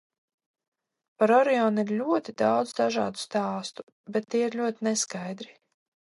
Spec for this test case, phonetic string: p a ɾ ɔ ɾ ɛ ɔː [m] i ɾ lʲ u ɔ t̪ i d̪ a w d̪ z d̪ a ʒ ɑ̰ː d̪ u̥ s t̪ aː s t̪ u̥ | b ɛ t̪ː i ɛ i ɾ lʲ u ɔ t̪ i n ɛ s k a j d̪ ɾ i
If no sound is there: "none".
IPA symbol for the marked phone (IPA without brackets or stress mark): n